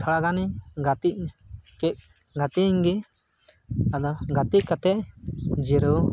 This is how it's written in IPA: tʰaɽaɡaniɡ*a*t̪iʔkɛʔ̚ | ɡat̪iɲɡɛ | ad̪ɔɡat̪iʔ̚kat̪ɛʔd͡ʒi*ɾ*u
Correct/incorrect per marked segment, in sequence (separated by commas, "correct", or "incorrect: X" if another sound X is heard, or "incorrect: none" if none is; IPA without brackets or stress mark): correct, correct